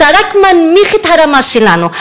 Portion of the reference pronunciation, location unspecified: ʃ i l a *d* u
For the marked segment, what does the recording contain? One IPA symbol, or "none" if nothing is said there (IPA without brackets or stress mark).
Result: n